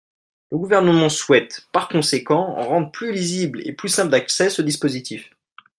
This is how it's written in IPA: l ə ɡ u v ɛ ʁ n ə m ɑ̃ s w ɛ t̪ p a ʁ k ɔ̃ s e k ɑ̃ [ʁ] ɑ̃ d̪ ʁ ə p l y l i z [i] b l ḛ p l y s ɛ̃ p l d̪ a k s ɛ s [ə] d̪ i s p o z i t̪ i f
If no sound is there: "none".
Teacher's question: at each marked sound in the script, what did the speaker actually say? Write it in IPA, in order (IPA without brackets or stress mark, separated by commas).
ʁ, i, ə